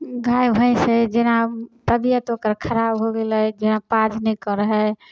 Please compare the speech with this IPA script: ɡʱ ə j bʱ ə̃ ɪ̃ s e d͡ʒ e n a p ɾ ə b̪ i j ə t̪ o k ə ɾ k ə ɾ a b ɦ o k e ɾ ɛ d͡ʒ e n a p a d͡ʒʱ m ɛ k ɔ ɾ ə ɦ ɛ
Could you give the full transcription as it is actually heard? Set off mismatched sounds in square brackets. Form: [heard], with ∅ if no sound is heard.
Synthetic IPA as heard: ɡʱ [a] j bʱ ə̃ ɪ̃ s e d͡ʒ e n a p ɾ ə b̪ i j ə t̪ o k ə ɾ [kʰ] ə ɾ a b ɦ o [ɡ] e [l] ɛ d͡ʒ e n a p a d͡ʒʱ [n] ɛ k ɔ ɾ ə ɦ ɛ